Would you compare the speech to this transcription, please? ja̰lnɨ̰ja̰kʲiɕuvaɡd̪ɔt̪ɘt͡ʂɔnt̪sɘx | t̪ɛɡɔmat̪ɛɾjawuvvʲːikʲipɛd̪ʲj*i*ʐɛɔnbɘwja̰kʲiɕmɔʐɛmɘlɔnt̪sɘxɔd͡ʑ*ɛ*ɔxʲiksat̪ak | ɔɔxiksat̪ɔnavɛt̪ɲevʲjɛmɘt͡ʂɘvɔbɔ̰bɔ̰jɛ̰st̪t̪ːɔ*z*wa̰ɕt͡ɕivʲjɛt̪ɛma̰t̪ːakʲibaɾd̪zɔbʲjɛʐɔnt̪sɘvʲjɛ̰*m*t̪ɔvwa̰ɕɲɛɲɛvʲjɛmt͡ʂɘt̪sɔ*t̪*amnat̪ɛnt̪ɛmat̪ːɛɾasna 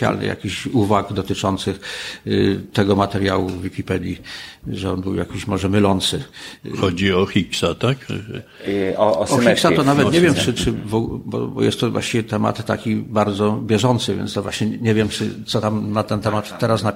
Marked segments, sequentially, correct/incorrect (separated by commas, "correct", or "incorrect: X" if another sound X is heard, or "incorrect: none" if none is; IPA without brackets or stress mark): correct, incorrect: i, incorrect: v, incorrect: n, correct